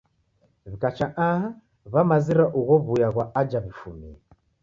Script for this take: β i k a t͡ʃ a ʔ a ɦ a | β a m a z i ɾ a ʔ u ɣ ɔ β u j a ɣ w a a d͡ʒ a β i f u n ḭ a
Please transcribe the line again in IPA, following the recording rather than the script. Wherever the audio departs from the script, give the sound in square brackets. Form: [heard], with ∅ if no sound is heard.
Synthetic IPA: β i k a t͡ʃ a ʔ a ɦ a | β a m a z i ɾ a ʔ u ɣ ɔ β u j a ɣ w a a d͡ʒ a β i f u [m] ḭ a